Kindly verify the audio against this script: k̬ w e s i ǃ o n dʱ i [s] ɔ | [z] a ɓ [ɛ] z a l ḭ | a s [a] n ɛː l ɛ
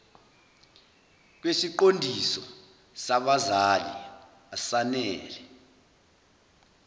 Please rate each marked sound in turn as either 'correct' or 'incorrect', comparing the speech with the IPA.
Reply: correct, incorrect: s, incorrect: a, correct

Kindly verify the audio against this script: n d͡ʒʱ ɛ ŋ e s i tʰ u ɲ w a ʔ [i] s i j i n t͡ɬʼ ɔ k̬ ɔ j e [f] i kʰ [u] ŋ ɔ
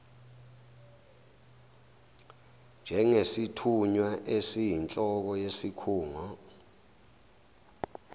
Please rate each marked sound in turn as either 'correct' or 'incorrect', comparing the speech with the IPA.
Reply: incorrect: e, incorrect: s, incorrect: uː

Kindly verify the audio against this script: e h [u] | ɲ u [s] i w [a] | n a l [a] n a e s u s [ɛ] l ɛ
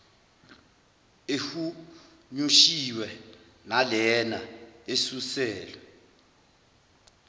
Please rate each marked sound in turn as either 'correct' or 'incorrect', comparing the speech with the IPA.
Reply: correct, incorrect: ʃ, incorrect: ɛ, incorrect: ɛ, incorrect: ɛː

